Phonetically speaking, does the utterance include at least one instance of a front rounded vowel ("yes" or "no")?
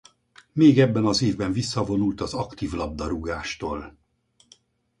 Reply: no